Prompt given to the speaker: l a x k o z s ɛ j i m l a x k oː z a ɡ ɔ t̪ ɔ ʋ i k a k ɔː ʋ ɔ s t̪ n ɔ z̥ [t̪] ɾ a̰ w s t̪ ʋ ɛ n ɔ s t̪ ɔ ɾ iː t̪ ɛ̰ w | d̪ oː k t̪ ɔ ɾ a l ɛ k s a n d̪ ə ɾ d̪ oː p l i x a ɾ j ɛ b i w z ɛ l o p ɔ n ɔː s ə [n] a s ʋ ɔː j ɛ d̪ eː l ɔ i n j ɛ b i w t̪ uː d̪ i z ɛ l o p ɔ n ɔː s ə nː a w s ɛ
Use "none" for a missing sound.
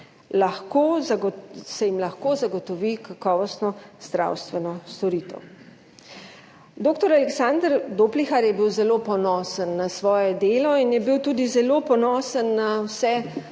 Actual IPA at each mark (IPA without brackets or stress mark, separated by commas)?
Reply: d̪, nː